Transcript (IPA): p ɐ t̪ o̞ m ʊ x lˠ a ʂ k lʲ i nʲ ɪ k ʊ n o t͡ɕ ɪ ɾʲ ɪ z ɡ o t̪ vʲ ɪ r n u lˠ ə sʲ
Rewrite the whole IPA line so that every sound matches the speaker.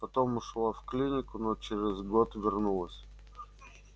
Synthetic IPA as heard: p ɐ t̪ o̞ m ʊ ʂ lˠ a f k lʲ i nʲ ɪ k ʊ n o t͡ɕ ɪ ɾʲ ɪ z ɡ o t̪ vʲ ɪ r n u lˠ ə sʲ